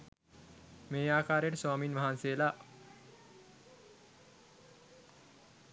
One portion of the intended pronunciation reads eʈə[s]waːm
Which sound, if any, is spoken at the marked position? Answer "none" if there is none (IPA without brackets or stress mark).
s